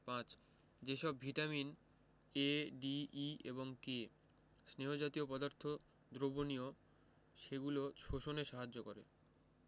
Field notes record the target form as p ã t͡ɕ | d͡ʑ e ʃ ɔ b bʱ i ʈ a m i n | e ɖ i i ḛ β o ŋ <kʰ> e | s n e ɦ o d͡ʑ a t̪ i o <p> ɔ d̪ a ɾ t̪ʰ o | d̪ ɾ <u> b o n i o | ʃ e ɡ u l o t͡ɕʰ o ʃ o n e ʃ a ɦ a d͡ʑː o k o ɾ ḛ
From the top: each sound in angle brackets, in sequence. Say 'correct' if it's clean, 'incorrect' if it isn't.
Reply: incorrect: k, correct, incorrect: o

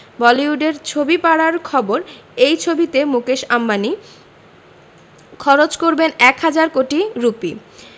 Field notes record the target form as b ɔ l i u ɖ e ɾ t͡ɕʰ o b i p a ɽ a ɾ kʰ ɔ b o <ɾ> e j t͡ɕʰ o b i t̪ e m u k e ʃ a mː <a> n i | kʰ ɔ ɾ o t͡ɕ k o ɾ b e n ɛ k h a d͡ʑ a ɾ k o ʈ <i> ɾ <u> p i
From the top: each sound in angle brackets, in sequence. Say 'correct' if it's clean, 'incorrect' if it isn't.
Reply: correct, correct, correct, correct

